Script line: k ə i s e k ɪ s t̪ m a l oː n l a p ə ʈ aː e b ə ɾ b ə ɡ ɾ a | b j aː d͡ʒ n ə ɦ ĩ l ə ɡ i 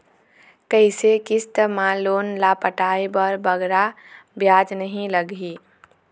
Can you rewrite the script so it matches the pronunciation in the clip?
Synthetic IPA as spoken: k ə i s e k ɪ s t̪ m a l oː n l a p ə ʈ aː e b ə ɾ b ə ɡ ɾ a | b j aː d͡ʒ n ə ɦ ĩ l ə ɡ i